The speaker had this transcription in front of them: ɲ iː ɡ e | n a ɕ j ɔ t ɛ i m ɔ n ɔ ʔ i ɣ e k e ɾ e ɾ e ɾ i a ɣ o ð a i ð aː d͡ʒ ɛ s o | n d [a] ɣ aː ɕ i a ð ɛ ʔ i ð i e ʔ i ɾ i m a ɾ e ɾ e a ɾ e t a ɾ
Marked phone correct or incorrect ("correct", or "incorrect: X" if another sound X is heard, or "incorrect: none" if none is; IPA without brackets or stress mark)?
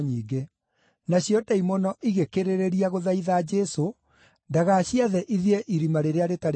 correct